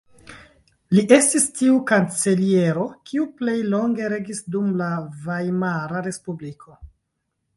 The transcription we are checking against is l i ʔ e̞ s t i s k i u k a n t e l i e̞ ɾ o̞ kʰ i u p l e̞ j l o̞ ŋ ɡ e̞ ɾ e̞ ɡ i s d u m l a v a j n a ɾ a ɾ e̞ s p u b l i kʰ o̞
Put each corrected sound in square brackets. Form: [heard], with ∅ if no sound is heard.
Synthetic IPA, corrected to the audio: l i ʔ e̞ s t i s [t] i u k a n [t͡s] e l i e̞ ɾ o̞ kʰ i u p l e̞ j l o̞ ŋ ɡ e̞ ɾ e̞ ɡ i s d u m l a v a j [m] a ɾ a ɾ e̞ s p u b l i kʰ o̞

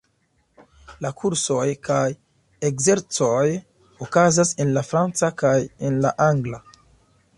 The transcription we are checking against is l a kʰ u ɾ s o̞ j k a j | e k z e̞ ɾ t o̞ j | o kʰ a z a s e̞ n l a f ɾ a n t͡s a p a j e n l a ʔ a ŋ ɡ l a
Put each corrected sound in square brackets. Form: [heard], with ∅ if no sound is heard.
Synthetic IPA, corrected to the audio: l a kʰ u ɾ s o̞ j k a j | e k z e̞ ɾ [t͡s] o̞ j | o [k] a z a s e̞ n l a f ɾ a n t͡s a [k] a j e n l a ʔ a ŋ ɡ l a

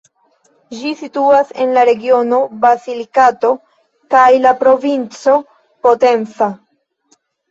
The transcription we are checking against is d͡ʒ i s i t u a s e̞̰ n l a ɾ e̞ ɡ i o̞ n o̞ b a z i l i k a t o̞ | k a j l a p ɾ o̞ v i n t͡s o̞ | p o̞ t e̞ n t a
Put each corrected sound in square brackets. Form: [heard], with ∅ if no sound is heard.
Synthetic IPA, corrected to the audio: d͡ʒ i s i t u a s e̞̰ n l a ɾ e̞ ɡ i o̞ n o̞ b a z i l i k a t o̞ | k a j l a p ɾ o̞ v i n t͡s o̞ | p o̞ t e̞ n [t͡s] a

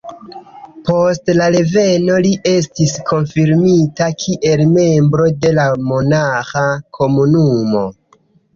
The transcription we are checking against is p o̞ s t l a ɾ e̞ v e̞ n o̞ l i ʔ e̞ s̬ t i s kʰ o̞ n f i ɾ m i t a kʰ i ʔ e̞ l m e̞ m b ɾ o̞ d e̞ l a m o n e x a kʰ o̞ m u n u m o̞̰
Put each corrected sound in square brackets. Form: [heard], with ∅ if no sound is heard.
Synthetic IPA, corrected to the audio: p o̞ s t l a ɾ e̞ v e̞ n o̞ l i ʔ e̞ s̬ t i s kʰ o̞ n f i ɾ m i t a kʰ i ʔ e̞ l m e̞ m b ɾ o̞ d e̞ l a m o n [a] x a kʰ o̞ m u n u m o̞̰

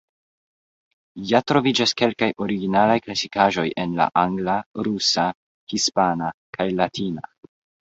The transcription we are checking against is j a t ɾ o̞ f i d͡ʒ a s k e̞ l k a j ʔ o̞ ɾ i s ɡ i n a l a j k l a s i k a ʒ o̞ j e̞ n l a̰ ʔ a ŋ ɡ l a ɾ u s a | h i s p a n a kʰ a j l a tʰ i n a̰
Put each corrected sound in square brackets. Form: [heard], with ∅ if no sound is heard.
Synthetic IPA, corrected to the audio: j a t ɾ o̞ [v] i d͡ʒ a s k e̞ l k a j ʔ o̞ ɾ i [∅] ɡ i n a l a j k l a s i k a ʒ o̞ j e̞ n l a̰ ʔ a ŋ ɡ l a ɾ u s a | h i s p a n a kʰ a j l a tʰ i n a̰

